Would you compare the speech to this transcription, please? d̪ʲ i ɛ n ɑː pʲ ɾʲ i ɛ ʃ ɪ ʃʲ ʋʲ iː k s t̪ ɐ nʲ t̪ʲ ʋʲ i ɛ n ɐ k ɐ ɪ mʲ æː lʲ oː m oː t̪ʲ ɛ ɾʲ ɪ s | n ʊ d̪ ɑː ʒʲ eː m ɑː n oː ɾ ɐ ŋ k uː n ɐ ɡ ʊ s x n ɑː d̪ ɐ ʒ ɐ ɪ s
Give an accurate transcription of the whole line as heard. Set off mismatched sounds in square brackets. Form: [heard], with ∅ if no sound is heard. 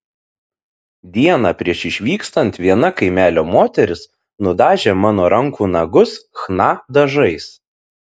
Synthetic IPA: d̪ʲ i ɛ n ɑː pʲ ɾʲ i ɛ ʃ ɪ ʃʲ ʋʲ iː k s t̪ ɐ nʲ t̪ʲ ʋʲ i ɛ n ɐ k ɐ ɪ mʲ æː lʲ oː m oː t̪ʲ ɛ ɾʲ ɪ s | n ʊ d̪ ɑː ʒʲ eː m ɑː n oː ɾ ɐ ŋ k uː n ɐ ɡ ʊ s x n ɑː d̪ ɐ ʒ ɐ ɪ s

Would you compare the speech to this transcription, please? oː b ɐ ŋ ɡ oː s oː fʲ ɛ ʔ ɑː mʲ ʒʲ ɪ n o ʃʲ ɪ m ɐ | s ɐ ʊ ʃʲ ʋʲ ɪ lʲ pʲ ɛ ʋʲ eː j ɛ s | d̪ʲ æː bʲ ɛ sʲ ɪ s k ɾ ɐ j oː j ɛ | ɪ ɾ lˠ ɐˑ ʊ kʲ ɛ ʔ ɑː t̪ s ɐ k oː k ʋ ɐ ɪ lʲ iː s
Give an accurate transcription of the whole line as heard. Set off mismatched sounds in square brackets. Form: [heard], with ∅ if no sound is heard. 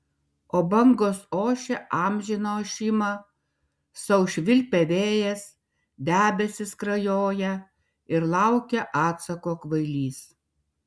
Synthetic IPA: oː b ɐ ŋ ɡ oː s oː [ʃʲ] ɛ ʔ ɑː mʲ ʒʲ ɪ n o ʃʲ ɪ m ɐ | s ɐ ʊ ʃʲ ʋʲ ɪ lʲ pʲ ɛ ʋʲ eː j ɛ s | d̪ʲ æː bʲ ɛ sʲ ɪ s k ɾ ɐ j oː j ɛ | ɪ ɾ lˠ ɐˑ ʊ kʲ ɛ ʔ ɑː t̪ s ɐ k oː k ʋ ɐ ɪ lʲ iː s

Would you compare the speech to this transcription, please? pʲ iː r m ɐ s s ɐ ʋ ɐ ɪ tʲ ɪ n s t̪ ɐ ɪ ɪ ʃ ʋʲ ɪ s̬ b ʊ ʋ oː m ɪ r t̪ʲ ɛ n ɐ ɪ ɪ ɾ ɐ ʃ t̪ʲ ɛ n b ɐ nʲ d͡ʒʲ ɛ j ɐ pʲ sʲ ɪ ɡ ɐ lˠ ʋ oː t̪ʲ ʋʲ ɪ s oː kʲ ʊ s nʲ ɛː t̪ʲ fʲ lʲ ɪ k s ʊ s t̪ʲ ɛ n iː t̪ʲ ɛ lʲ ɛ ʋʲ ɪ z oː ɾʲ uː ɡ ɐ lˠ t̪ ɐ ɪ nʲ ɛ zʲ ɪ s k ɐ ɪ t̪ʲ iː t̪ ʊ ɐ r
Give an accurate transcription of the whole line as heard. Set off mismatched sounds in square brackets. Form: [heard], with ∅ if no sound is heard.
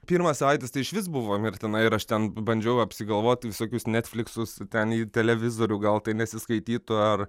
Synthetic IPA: pʲ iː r m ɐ s s ɐ ʋ ɐ ɪ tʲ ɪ [∅] s t̪ ɐ ɪ ɪ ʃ ʋʲ ɪ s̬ b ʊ ʋ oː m ɪ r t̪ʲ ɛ n ɐ ɪ ɪ ɾ ɐ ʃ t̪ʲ ɛ n b ɐ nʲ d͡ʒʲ ɛ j ɐ pʲ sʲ ɪ ɡ ɐ lˠ ʋ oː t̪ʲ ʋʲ ɪ s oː kʲ ʊ s nʲ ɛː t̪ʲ fʲ lʲ ɪ k s ʊ s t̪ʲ ɛ n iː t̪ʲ ɛ lʲ ɛ ʋʲ ɪ z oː ɾʲ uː ɡ ɐ lˠ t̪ ɐ ɪ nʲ ɛ [sʲ] ɪ s k ɐ ɪ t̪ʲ iː t̪ ʊ ɐ r

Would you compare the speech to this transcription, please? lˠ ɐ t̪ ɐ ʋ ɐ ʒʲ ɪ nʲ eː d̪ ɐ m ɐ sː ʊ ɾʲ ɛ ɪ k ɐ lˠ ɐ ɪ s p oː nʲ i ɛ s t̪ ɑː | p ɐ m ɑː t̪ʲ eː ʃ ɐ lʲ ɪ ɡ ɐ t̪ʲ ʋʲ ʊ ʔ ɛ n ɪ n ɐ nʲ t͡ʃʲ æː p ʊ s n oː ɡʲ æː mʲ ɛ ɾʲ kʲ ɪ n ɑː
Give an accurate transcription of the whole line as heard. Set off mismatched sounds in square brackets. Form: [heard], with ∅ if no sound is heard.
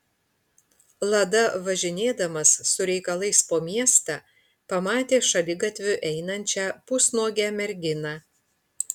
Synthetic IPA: lˠ ɐ [d̪] ɐ ʋ ɐ ʒʲ ɪ nʲ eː d̪ ɐ m ɐ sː ʊ ɾʲ ɛ ɪ k ɐ lˠ ɐ ɪ s p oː [mʲ] i ɛ s t̪ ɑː | p ɐ m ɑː t̪ʲ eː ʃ ɐ lʲ ɪ ɡ ɐ t̪ʲ ʋʲ ʊ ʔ ɛ [∅] ɪ n ɐ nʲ t͡ʃʲ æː p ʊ s n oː ɡʲ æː mʲ ɛ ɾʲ [ɡʲ] ɪ n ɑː

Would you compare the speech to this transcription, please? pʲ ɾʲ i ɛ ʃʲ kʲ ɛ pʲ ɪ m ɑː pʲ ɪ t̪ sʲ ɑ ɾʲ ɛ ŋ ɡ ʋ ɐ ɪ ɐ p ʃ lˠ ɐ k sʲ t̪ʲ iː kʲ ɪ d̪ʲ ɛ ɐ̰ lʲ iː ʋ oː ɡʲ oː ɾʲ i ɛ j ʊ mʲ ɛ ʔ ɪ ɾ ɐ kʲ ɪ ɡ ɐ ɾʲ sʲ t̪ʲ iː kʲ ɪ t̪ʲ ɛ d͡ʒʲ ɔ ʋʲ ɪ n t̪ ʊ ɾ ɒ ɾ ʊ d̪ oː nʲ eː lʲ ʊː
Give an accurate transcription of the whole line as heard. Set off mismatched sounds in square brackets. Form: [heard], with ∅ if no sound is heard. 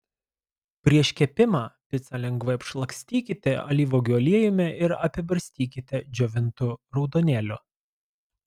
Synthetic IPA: pʲ ɾʲ i ɛ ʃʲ kʲ ɛ pʲ ɪ m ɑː pʲ ɪ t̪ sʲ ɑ [lʲ] ɛ ŋ ɡ ʋ ɐ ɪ ɐ p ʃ lˠ ɐ k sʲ t̪ʲ iː kʲ ɪ [t̪ʲ] ɛ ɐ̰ lʲ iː ʋ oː ɡʲ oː [lʲ] i ɛ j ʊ mʲ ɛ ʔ ɪ ɾ ɐ [pʲ] ɪ [b] ɐ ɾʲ sʲ t̪ʲ iː kʲ ɪ t̪ʲ ɛ d͡ʒʲ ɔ ʋʲ ɪ n t̪ ʊ ɾ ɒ [∅] ʊ d̪ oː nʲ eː lʲ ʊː

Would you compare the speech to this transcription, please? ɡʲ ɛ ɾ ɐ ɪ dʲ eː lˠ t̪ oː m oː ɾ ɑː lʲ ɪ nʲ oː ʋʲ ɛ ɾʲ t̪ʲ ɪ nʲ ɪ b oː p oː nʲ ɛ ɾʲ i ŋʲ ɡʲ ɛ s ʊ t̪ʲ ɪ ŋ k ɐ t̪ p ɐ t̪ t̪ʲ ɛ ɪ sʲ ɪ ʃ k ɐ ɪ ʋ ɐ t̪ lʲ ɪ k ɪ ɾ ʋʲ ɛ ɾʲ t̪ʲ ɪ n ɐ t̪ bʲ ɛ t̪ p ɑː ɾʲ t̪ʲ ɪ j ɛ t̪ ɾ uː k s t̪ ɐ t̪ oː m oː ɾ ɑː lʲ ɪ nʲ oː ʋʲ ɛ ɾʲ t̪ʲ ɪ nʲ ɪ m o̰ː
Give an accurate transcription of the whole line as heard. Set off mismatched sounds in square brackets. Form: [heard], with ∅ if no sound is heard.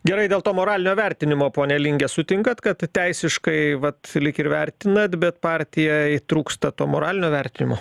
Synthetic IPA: ɡʲ ɛ ɾ ɐ ɪ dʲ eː lˠ t̪ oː m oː ɾ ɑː lʲ ɪ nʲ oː ʋʲ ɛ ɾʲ t̪ʲ ɪ nʲ ɪ [m] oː p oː nʲ ɛ [lʲ] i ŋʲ ɡʲ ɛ s ʊ t̪ʲ ɪ ŋ k ɐ t̪ [k] ɐ t̪ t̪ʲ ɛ ɪ sʲ ɪ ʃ k ɐ ɪ ʋ ɐ t̪ lʲ ɪ k ɪ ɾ ʋʲ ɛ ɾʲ t̪ʲ ɪ n ɐ t̪ bʲ ɛ t̪ p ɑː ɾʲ t̪ʲ ɪ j ɛ t̪ ɾ uː k s t̪ ɐ t̪ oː m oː ɾ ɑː lʲ ɪ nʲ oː ʋʲ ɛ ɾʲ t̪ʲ ɪ nʲ ɪ m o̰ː

